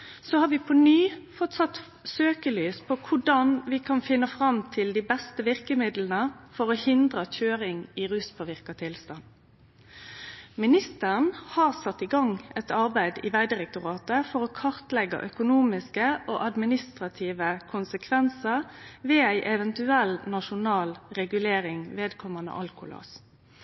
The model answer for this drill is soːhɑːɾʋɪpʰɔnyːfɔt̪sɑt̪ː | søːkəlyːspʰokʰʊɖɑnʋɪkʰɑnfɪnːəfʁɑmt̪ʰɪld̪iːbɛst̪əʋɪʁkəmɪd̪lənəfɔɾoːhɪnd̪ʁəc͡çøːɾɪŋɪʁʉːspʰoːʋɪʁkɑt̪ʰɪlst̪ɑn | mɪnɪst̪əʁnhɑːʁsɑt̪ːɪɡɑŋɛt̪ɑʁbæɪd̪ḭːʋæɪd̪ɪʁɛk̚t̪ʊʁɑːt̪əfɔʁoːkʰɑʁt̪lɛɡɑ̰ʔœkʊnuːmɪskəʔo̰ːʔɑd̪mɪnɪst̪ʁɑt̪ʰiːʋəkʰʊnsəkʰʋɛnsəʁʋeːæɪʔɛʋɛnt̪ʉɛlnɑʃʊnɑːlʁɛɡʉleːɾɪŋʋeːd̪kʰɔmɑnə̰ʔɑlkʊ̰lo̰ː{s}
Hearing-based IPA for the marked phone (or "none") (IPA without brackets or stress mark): s